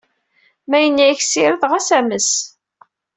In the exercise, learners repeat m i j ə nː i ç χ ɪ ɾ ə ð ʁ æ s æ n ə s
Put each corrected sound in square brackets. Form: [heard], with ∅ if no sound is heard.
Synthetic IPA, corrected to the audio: m [æ] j ə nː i ç [s] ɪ ɾ ə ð ʁ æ s æ [m] ə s